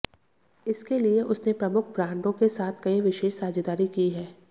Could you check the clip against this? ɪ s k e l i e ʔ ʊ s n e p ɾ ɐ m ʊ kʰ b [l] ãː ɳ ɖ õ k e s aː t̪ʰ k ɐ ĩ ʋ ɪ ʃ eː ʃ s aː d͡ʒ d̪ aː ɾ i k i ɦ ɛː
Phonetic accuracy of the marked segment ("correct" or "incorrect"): incorrect